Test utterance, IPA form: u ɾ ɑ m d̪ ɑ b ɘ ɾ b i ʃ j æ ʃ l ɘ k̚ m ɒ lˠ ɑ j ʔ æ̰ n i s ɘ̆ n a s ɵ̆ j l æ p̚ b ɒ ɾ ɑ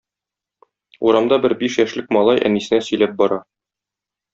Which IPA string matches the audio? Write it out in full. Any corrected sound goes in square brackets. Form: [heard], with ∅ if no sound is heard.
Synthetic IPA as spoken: u ɾ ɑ m d̪ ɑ b ɘ ɾ b i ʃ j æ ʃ l ɘ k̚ m ɒ lˠ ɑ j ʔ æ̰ n i s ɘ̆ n [æ] s ɵ̆ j l æ p̚ b ɒ ɾ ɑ